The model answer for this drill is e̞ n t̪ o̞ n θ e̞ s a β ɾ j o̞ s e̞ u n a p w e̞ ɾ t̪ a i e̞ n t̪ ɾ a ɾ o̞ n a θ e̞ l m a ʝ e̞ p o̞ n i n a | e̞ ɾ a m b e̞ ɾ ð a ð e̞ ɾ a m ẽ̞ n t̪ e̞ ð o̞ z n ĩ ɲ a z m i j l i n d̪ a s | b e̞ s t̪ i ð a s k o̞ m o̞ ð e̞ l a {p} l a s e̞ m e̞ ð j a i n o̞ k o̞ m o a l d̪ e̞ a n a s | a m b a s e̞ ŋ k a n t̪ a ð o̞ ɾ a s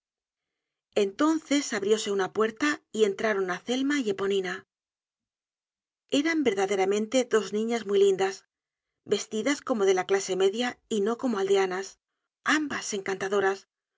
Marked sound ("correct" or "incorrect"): incorrect